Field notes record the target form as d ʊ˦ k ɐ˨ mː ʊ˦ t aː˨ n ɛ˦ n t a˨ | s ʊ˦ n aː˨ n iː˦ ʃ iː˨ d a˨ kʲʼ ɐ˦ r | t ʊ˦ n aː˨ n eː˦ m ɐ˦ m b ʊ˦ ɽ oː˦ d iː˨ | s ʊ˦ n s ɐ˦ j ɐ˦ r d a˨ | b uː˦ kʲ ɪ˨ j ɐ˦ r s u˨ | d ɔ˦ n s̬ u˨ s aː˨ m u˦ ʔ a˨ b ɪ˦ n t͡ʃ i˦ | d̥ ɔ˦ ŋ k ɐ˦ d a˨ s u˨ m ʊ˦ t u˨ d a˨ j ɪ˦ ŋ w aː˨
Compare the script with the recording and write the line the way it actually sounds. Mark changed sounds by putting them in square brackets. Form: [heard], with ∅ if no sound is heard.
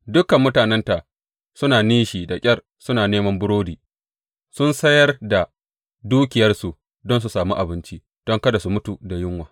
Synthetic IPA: d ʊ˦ k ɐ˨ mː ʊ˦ t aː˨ n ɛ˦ n t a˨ | s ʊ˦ n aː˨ n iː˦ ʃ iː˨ d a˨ kʲʼ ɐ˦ r | [s] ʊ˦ n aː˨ n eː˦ m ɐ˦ m b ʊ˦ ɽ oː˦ d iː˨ | s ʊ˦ n s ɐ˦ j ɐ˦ r d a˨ | [d] uː˦ kʲ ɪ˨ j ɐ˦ r s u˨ | d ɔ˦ n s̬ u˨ s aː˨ m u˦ ʔ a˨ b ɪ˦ n t͡ʃ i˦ | d̥ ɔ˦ ŋ k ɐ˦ d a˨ s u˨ m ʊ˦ t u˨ d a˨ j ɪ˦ ŋ w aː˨